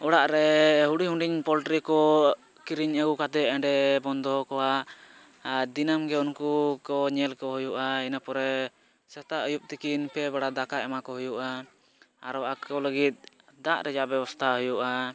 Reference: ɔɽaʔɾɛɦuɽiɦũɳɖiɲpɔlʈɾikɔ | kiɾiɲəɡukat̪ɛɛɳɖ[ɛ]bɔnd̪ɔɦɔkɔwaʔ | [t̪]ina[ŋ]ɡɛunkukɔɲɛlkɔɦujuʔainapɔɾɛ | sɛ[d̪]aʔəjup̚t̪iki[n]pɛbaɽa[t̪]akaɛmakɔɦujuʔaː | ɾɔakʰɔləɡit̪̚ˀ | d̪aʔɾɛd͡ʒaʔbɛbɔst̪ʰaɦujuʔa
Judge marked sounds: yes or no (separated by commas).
yes, no, no, no, yes, no